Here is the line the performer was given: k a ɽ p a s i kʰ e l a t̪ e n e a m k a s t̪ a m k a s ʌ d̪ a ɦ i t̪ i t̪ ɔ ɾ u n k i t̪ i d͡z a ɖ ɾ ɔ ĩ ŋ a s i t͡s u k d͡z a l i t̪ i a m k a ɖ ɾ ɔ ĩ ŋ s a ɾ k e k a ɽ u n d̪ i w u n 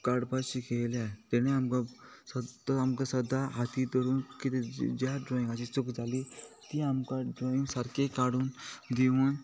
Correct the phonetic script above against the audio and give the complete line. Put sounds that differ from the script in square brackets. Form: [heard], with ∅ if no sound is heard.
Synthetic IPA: k a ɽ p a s i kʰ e l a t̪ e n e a m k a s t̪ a m k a s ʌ d̪ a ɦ [a] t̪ i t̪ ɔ ɾ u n k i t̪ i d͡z a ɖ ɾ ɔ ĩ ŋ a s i t͡s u k d͡z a l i t̪ i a m k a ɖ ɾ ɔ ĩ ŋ s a ɾ k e k a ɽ u n d̪ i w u n

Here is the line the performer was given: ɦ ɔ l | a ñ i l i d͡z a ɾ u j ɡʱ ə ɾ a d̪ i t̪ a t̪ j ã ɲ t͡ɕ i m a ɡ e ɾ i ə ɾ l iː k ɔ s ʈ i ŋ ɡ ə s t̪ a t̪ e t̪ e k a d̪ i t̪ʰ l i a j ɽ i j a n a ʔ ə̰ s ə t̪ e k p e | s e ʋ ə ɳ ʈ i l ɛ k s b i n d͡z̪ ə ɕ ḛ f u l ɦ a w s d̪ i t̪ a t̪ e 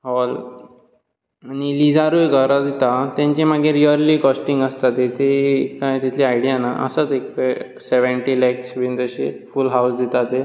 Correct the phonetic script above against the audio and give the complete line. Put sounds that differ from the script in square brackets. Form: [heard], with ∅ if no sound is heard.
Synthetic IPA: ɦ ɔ l | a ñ i l i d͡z a ɾ u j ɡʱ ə ɾ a d̪ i t̪ a t̪ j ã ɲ t͡ɕ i m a ɡ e ɾ i ə ɾ l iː k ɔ s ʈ i ŋ ɡ ə s t̪ a t̪ e t̪ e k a [t̪] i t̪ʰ l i a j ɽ i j a n a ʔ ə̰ s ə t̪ e k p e | s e ʋ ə ɳ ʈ i l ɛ k s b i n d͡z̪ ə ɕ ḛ f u l ɦ a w s d̪ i t̪ a t̪ e

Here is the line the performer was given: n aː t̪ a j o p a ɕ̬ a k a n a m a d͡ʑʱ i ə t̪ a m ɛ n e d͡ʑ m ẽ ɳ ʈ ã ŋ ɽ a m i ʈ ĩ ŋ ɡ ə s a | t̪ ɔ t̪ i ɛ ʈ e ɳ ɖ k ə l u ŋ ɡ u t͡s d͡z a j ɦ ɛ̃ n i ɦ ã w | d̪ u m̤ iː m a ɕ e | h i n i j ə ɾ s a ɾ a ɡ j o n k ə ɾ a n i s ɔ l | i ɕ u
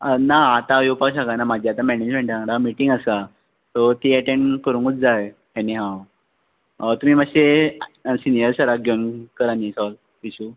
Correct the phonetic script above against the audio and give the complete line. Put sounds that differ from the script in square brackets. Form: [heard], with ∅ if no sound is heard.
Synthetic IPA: n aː t̪ a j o p a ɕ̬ a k a n a m a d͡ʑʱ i [a] t̪ a m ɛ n e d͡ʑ m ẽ ɳ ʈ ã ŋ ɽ a m i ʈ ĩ ŋ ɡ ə s a | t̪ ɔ t̪ i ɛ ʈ e ɳ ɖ k ə [ɾ] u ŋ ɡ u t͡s d͡z a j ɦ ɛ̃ n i ɦ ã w | [t̪] u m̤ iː m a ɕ e | [s] i n i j ə ɾ s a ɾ a ɡ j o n k ə ɾ a n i s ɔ l | i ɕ u

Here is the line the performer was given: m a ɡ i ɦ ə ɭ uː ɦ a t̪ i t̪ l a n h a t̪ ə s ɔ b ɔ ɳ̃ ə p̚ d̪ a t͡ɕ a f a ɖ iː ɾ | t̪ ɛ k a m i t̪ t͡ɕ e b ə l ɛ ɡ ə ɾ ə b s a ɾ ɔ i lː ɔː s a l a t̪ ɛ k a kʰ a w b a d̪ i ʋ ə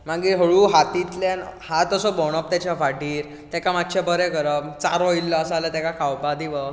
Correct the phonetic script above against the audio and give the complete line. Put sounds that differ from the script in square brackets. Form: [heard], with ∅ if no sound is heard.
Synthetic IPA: m a ɡ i ɦ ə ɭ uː ɦ a t̪ i t̪ l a n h a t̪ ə s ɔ b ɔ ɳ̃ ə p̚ [t̪] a t͡ɕ a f a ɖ iː ɾ | t̪ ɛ k a m [a] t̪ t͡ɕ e b ə [ɾ] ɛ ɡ ə ɾ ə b [t͡s] a ɾ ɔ i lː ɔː s a l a t̪ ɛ k a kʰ a w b a d̪ i ʋ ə

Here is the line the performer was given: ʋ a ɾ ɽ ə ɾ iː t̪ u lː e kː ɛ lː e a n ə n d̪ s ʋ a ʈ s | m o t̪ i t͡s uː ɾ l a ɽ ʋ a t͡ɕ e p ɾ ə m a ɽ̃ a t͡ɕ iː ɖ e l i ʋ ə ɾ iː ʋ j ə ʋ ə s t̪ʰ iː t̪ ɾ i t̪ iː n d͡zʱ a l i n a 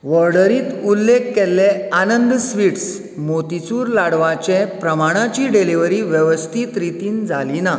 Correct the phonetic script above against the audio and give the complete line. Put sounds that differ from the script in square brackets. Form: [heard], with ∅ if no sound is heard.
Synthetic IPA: ʋ [ə] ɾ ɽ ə ɾ iː t̪ u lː e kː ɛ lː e a n ə n d̪ s ʋ [i] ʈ s | m o t̪ i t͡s uː ɾ l a ɽ ʋ a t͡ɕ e p ɾ ə m a ɽ̃ a t͡ɕ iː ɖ e l i ʋ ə ɾ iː ʋ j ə ʋ ə s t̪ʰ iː t̪ ɾ i t̪ iː n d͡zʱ a l i n a

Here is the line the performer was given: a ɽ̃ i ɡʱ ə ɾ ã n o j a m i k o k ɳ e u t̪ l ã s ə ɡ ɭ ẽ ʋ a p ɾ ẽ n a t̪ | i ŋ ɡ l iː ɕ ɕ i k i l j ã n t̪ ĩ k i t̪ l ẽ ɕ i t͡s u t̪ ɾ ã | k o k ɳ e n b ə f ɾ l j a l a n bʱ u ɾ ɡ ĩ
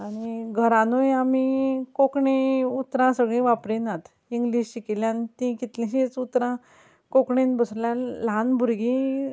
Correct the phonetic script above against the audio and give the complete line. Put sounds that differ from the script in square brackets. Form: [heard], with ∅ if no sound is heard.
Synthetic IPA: a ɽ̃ i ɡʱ ə ɾ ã n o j a m i k o k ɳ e u t̪ [ɾ] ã s ə ɡ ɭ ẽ ʋ a p ɾ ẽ n a t̪ | i ŋ ɡ l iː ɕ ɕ i k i l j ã n t̪ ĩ k i t̪ l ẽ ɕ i t͡s u t̪ ɾ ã | k o k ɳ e n b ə [s] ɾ l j a l a n bʱ u ɾ ɡ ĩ

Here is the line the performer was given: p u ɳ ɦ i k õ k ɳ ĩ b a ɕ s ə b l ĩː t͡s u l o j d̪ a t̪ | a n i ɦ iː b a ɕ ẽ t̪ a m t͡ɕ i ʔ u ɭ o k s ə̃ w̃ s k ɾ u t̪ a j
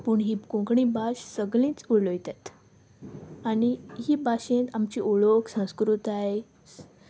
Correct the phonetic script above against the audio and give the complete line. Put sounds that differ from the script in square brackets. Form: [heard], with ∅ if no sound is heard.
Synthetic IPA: p u ɳ ɦ i k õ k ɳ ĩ b a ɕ s ə [ɡ] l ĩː t͡s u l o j [t̪] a t̪ | a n i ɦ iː b a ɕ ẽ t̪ a m t͡ɕ i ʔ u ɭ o k s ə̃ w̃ s k ɾ u t̪ a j

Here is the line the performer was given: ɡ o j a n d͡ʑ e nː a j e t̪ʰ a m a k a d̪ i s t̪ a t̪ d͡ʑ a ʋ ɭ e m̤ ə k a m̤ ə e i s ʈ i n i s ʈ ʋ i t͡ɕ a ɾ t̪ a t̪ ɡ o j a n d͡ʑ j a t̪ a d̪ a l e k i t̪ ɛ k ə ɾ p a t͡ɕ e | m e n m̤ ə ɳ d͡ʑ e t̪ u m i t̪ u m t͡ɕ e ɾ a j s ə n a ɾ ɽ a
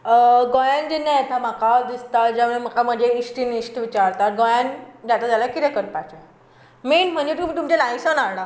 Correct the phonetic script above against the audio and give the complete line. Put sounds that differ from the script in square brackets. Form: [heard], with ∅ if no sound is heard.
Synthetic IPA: ɡ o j a n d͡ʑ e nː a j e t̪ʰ a m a k a d̪ i s t̪ a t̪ d͡ʑ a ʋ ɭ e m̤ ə k a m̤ ə e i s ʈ i n i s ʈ ʋ i t͡ɕ a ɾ t̪ a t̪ ɡ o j a n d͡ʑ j a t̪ a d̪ a l [a] k i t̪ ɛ k ə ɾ p a t͡ɕ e | m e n m̤ ə ɳ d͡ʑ e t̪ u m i t̪ u m t͡ɕ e [l] a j s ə n a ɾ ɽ a

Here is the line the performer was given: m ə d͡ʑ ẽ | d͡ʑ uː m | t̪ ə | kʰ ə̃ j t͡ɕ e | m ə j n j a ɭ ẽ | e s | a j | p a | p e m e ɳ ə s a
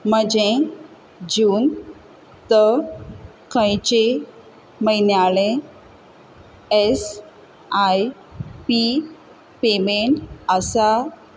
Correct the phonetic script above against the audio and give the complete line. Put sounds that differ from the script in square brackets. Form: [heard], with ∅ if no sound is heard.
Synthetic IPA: m ə d͡ʑ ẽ | d͡ʑ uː [n] | t̪ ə | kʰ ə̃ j t͡ɕ e | m ə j n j a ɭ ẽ | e s | a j | p [i] | p e m e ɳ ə s a

